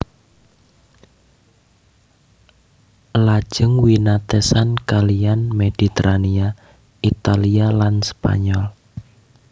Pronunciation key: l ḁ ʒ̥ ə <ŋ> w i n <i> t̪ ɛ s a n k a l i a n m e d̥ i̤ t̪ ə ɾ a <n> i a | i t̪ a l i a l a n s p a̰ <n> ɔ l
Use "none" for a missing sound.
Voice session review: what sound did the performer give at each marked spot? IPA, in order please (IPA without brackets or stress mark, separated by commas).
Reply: ŋ, a, n, ɲ